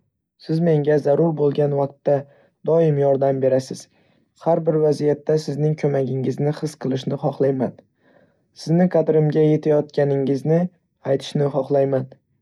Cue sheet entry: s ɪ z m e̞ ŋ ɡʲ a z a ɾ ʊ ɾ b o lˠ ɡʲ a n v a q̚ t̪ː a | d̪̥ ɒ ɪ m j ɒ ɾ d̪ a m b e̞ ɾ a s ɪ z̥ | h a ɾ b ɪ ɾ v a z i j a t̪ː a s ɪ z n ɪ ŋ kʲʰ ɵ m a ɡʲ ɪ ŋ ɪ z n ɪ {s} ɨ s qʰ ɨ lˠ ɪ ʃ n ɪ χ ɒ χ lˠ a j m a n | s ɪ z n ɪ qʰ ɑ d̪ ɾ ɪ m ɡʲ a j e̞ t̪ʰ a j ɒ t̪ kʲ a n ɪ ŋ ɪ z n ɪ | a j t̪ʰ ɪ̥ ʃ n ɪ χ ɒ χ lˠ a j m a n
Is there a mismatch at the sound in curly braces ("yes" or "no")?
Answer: yes